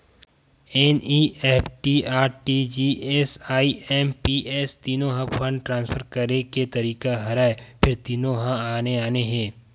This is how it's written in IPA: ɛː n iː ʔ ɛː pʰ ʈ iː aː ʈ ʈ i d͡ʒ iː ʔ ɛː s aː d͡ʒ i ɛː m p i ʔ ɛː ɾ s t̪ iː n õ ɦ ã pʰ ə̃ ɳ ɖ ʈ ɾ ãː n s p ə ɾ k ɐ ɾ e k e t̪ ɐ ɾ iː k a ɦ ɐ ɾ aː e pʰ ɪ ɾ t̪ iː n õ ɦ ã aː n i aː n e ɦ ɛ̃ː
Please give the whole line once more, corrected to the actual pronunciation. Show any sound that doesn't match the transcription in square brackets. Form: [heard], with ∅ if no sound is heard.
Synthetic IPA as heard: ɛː n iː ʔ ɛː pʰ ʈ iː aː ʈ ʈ i d͡ʒ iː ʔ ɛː s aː [∅] i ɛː m p i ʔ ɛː [∅] s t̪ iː n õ ɦ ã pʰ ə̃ ɳ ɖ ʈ ɾ ãː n s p ə ɾ k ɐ ɾ e k e t̪ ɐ ɾ iː k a ɦ ɐ ɾ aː e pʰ ɪ ɾ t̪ iː n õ ɦ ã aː n [e] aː n e ɦ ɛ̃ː